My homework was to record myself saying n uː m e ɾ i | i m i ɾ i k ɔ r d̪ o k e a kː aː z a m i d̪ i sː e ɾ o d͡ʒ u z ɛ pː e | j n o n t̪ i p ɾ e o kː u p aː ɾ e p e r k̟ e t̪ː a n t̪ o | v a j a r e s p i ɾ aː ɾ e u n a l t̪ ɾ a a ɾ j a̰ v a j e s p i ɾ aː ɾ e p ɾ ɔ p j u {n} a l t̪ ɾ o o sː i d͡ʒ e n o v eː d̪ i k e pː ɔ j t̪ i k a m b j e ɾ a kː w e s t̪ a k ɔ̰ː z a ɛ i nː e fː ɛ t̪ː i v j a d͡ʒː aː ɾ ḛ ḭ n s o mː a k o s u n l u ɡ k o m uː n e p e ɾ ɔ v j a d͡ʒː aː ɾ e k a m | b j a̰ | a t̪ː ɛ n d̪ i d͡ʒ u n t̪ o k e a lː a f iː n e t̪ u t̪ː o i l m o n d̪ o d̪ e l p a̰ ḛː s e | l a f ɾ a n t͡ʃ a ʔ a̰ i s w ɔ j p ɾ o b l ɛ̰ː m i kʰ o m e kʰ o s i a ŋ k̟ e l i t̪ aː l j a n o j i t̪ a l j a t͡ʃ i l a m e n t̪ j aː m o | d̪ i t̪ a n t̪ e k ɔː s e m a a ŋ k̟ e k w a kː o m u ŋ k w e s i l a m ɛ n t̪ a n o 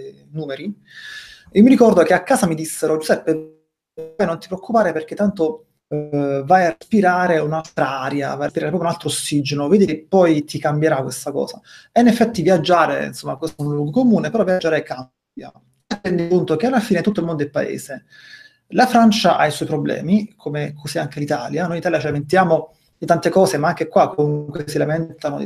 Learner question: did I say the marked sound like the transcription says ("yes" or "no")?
yes